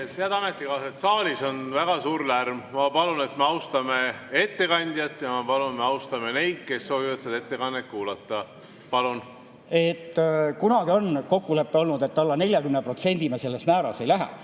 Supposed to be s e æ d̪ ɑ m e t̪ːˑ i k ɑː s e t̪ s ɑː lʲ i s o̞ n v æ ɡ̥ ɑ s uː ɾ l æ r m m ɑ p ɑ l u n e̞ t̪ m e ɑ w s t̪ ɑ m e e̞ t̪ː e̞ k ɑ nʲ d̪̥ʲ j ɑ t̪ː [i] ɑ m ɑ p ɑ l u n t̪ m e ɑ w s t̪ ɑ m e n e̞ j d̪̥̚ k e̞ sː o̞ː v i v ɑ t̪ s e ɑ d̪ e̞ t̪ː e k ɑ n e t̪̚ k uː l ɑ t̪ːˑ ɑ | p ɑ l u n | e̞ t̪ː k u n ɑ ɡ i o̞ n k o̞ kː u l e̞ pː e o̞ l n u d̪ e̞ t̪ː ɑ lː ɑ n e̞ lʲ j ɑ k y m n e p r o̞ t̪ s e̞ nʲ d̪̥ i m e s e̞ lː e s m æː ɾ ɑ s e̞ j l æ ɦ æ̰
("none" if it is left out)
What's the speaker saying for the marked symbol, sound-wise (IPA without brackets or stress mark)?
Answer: j